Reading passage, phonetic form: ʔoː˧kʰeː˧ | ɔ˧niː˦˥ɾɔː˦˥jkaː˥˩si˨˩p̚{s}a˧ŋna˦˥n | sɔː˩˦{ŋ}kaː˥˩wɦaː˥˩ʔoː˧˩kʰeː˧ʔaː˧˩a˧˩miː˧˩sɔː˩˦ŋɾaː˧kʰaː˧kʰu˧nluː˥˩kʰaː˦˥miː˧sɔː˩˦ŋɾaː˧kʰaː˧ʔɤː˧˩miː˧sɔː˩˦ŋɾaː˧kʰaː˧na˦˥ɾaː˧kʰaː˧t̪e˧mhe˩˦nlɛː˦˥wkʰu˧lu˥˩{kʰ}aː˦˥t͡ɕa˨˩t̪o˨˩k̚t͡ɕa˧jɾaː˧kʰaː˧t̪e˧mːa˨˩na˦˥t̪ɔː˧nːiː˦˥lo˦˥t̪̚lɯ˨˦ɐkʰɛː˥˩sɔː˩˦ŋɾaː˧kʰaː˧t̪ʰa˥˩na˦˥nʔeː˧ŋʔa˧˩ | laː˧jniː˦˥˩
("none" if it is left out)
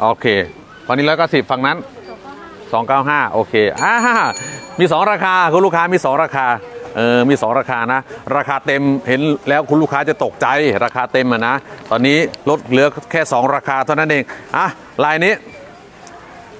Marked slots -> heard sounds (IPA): f, ŋ, kʰ

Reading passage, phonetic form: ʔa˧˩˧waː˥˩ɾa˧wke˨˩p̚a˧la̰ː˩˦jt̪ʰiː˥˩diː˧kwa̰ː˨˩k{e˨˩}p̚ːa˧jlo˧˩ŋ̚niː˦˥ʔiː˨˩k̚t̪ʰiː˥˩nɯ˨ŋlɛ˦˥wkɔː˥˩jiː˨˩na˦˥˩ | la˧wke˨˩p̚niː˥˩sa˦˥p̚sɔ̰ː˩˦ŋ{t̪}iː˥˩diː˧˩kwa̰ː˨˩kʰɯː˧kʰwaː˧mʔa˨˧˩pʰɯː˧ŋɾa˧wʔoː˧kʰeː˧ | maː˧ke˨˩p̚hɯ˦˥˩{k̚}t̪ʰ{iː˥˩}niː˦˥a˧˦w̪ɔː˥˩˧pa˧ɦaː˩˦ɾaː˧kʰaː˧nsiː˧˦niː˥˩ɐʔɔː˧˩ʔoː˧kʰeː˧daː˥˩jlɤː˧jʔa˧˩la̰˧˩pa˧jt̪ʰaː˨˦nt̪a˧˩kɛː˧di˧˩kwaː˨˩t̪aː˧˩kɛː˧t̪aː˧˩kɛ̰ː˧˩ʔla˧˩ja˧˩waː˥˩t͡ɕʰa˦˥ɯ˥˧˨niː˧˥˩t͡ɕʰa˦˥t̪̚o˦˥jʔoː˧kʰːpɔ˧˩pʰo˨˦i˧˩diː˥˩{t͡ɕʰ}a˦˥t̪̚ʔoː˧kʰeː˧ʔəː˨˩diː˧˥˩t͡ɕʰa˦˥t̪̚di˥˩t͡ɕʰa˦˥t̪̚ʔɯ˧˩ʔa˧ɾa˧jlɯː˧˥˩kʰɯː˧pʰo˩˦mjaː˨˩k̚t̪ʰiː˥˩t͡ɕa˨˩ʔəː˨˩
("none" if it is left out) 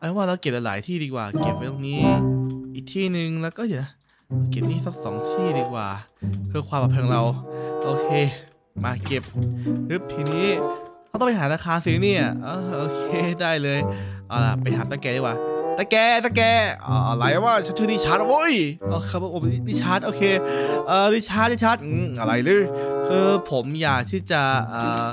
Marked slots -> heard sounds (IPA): e˨˩, t̪ʰ, p̚, iː˧, t͡ɕʰ

